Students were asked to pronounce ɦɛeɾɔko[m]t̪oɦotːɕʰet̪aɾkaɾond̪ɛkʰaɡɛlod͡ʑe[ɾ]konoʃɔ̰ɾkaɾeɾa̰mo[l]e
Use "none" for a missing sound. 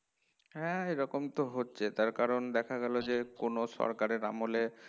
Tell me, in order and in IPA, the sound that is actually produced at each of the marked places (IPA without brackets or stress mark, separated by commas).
m, none, l